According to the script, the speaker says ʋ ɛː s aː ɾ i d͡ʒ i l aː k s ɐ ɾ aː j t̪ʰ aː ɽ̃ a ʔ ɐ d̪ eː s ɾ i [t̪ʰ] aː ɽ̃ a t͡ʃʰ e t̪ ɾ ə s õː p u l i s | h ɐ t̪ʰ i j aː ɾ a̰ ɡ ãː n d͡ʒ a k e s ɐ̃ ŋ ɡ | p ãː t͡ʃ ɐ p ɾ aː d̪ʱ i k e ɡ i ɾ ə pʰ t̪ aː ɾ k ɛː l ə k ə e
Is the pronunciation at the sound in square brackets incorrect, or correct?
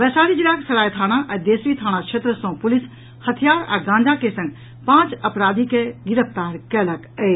correct